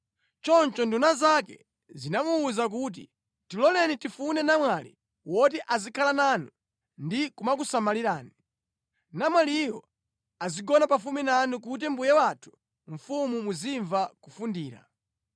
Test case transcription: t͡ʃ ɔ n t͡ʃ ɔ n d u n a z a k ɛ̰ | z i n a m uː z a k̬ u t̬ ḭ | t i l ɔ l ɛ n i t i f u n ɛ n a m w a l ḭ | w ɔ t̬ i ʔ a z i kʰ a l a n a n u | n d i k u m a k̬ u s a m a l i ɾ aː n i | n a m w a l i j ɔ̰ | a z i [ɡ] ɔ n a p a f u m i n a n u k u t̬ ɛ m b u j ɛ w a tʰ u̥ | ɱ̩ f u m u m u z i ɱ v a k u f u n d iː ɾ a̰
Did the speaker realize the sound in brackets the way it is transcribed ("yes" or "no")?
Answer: yes